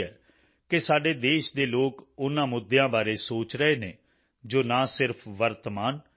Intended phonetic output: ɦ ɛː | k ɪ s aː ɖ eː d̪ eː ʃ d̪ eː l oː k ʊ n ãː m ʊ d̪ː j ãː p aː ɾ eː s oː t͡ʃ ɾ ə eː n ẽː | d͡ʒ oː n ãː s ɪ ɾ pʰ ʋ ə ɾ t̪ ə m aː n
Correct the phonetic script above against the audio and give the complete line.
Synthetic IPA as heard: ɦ ɛː | k ɪ s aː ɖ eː d̪ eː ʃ d̪ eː l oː k ʊ n ãː m ʊ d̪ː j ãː b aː ɾ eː s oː t͡ʃ ɾ ə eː n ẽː | d͡ʒ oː n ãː s ɪ ɾ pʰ ʋ ə ɾ t̪ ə m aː n